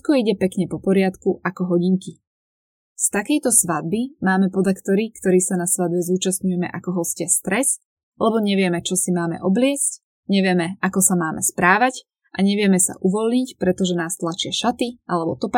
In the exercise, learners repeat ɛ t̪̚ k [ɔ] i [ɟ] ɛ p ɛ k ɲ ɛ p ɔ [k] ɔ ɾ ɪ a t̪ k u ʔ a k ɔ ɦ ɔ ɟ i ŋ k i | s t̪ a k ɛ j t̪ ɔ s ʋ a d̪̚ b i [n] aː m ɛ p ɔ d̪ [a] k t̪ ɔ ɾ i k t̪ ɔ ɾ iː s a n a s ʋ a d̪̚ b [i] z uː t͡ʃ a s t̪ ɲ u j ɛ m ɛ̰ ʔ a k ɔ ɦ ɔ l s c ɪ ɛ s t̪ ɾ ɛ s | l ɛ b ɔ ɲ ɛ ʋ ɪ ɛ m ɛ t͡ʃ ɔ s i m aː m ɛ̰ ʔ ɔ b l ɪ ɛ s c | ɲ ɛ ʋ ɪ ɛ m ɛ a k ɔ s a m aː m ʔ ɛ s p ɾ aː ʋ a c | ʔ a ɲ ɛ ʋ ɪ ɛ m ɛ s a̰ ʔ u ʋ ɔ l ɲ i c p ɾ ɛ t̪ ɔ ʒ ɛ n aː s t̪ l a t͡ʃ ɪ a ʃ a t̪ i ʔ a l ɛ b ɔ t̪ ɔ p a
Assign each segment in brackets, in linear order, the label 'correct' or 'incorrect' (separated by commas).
correct, correct, incorrect, incorrect, correct, incorrect